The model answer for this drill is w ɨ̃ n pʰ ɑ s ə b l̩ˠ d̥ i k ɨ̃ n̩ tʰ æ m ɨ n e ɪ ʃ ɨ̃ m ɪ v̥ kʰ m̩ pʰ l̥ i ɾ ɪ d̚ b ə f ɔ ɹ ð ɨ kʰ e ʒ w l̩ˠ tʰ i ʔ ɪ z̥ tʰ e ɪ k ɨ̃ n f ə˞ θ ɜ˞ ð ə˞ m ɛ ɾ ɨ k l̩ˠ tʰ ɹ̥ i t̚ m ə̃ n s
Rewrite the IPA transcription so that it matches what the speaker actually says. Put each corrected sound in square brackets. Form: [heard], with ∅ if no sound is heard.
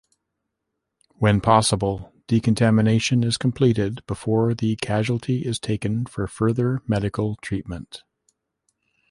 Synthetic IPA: w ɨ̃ n pʰ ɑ s ə b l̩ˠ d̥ i k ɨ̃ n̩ tʰ æ m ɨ n e ɪ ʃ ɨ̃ [n] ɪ [z̥] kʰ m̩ pʰ l̥ i ɾ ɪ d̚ b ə f ɔ ɹ ð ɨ kʰ [æ] ʒ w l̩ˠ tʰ i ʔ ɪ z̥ tʰ e ɪ k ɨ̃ n f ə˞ [f] ɜ˞ ð ə˞ m ɛ ɾ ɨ k l̩ˠ tʰ ɹ̥ i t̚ m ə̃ n [t]